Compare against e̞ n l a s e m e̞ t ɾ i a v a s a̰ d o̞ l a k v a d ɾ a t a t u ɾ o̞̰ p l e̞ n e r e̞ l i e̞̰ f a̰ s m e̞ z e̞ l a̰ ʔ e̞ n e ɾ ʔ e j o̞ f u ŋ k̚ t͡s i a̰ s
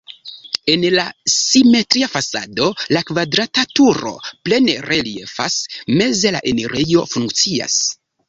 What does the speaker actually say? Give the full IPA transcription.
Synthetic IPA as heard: e̞ n l a s i m e̞ t ɾ i a f a s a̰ d o̞ l a k v a d ɾ a t a t u ɾ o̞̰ p l e̞ n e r e̞ l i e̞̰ f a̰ s m e̞ z e̞ l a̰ ʔ e̞ n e ɾ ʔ e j o̞ f u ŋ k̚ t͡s i a̰ s

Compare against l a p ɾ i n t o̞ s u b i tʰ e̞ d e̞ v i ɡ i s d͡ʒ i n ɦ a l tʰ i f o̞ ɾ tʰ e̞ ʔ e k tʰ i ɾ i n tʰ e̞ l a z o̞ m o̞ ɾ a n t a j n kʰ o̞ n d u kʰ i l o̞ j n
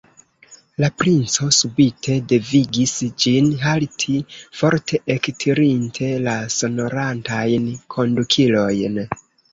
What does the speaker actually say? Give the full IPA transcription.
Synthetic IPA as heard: l a p ɾ i n t͡s o̞ s u b i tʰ e̞ d e̞ v i ɡ i s d͡ʒ i n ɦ a l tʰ i f o̞ ɾ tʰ e̞ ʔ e k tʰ i ɾ i n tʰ e̞ l a s o̞ n o̞ ɾ a n t a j n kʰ o̞ n d u kʰ i l o̞ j n

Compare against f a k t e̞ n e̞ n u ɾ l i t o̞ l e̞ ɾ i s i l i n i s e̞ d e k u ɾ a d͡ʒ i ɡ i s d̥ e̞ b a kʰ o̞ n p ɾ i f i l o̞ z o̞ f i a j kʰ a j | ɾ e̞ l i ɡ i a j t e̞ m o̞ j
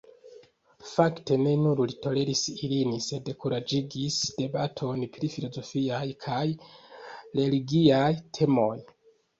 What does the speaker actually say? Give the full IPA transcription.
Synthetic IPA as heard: f a k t e̞ n e̞ n u ɾ l i t o̞ l e̞ ɾ i s i l i n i s e̞ d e k u ɾ a d͡ʒ i ɡ i s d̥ e̞ b a tʰ o̞ n p ɾ i f i l o̞ z o̞ f i a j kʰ a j | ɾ e̞ l i ɡ i a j tʰ e̞ m o̞ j

